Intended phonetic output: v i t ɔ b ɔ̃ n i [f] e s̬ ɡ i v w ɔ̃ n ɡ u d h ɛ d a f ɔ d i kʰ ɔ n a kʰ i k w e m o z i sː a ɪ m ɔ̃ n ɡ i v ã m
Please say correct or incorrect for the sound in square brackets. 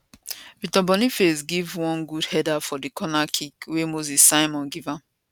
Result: correct